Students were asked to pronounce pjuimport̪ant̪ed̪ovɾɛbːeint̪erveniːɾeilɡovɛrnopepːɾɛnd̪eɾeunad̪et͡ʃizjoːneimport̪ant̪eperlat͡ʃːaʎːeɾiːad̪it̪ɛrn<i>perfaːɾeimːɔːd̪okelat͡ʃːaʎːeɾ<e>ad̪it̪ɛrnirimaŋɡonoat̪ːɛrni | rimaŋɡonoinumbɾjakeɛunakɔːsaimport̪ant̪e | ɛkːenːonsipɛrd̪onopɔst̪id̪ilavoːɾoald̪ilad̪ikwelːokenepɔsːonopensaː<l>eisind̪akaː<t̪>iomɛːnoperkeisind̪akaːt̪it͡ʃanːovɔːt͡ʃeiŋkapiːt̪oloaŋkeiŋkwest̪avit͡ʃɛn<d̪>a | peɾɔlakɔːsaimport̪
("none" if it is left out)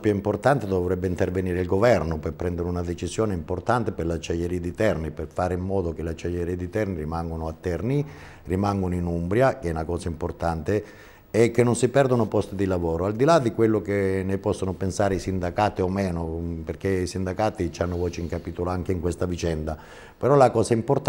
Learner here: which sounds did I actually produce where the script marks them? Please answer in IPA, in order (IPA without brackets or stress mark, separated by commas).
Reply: i, i, ɾ, t̪, d̪